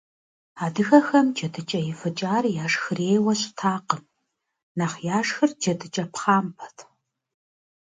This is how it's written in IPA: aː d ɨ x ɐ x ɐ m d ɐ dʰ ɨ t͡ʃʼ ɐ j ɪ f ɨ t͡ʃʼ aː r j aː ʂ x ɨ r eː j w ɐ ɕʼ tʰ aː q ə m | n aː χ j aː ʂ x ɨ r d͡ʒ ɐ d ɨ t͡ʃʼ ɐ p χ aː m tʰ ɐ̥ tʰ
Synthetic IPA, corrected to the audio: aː d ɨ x ɐ x ɐ m d͡ʒ ɐ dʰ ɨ t͡ʃʼ ɐ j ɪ f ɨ t͡ʃʼ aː r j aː ʂ x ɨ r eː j w ɐ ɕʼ tʰ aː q ə m | n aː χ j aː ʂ x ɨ r d͡ʒ ɐ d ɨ t͡ʃʼ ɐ p χ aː m pʰ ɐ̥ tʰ